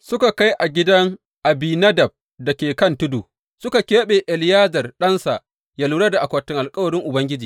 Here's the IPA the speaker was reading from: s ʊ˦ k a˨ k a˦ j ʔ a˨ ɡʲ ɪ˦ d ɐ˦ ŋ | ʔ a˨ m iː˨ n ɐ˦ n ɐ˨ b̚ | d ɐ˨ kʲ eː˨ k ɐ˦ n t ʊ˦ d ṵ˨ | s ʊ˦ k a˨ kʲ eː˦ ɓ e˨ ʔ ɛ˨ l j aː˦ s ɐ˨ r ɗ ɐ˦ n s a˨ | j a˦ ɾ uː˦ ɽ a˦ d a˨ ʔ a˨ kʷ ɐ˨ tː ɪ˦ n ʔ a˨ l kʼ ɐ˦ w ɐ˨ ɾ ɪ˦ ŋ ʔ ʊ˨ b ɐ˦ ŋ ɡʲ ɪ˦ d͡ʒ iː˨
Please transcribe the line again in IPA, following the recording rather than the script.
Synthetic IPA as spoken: s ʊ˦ k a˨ k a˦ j ʔ a˨ ɡʲ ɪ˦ d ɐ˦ ŋ | ʔ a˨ b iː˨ n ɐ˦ d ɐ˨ b̚ | d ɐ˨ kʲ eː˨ k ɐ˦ n t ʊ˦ d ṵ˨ | s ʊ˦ k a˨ kʲ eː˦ ɓ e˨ ʔ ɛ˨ l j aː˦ z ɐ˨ r ɗ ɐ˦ n s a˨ | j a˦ l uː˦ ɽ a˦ d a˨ ʔ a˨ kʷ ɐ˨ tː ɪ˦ ŋ ʔ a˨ l kʼ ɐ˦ w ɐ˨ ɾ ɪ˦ ŋ ʔ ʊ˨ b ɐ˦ ŋ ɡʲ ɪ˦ d͡ʒ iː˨